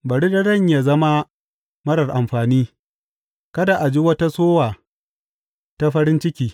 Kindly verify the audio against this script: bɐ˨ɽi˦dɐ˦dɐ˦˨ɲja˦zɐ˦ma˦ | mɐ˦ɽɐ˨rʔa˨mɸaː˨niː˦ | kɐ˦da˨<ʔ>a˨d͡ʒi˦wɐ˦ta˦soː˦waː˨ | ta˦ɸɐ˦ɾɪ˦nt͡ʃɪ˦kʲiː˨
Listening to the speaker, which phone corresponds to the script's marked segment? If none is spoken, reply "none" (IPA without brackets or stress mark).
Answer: ʔ